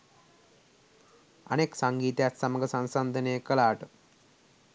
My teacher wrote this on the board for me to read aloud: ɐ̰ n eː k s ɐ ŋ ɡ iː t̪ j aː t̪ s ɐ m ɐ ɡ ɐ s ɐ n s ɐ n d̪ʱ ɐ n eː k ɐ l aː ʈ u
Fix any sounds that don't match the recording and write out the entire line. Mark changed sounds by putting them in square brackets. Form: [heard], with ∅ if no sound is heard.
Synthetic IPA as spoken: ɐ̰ n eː k s ɐ ŋ ɡ iː t̪ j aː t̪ s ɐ m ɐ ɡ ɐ s ɐ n s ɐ n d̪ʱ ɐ n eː k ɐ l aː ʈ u